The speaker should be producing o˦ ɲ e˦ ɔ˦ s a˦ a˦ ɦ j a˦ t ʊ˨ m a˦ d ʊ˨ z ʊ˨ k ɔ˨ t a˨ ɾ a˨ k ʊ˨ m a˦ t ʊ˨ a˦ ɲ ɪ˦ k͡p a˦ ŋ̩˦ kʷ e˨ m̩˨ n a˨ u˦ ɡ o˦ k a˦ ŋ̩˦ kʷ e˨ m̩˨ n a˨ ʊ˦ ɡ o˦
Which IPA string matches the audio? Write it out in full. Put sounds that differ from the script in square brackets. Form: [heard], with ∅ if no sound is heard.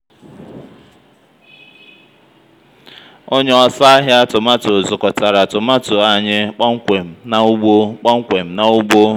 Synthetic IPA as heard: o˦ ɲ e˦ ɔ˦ s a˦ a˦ ɦ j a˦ t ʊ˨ m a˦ [t] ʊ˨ z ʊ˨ k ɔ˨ t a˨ ɾ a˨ [t] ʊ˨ m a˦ t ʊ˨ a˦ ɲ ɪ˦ k͡p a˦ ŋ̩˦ kʷ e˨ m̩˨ n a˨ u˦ [ɡ͡b] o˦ [k͡p] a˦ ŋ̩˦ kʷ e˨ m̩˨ n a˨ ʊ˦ [ɡ͡b] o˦